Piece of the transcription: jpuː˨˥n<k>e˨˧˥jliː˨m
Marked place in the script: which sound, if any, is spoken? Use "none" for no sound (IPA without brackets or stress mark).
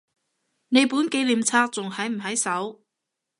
k